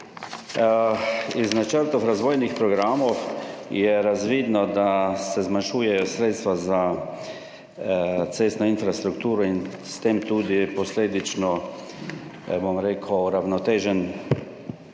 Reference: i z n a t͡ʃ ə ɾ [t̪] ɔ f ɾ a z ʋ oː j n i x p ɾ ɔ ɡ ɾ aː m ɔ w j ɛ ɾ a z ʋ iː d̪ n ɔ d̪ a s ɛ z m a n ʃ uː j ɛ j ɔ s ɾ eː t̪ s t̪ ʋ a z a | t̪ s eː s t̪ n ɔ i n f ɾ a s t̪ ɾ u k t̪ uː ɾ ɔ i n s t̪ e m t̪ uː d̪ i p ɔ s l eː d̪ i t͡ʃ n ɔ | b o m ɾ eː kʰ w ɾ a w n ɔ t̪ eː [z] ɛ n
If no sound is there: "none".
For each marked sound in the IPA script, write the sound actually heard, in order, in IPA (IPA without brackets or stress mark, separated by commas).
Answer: t̪, ʒ